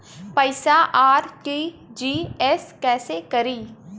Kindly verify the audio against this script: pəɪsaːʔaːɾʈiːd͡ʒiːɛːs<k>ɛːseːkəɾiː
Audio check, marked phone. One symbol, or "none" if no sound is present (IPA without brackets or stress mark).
k